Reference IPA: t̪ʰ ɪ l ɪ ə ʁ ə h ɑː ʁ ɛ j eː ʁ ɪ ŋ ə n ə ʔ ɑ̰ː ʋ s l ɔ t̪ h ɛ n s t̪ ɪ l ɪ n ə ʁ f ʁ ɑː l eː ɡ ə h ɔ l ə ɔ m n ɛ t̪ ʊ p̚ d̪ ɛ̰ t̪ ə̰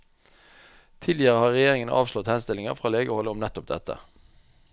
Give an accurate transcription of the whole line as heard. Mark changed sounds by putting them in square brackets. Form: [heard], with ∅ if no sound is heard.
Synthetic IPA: t̪ʰ ɪ l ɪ ə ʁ ə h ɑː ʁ ɛ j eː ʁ ɪ ŋ ə n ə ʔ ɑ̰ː ʋ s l ɔ t̪ h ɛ n s t̪ ɪ l ɪ [ŋ] ə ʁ f ʁ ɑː l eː ɡ ə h ɔ l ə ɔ m n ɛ t̪ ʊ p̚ d̪ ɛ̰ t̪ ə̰